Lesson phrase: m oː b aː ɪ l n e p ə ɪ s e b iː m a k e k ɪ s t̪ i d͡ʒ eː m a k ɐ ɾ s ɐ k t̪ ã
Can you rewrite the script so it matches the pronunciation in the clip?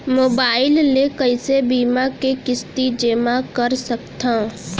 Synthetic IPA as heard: m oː b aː ɪ l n e k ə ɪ s e b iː m a k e k ɪ s t̪ i d͡ʒ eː m a k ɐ ɾ s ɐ k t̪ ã